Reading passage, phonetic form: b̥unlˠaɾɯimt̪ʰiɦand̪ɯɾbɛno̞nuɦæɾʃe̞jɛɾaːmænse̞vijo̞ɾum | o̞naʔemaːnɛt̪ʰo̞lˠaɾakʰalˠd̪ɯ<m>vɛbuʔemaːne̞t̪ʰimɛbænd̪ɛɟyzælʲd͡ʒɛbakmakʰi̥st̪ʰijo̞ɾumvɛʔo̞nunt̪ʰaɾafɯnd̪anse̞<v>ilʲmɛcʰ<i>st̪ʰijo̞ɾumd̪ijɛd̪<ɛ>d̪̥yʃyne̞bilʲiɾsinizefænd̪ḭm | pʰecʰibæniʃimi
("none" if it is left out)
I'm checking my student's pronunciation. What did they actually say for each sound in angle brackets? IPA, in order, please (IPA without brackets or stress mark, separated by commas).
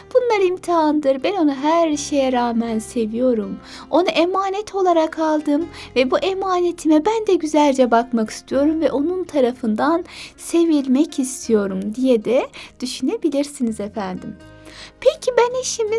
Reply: m, v, i, ɛ